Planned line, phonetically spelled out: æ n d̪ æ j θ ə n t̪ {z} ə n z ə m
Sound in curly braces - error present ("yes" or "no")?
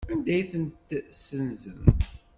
yes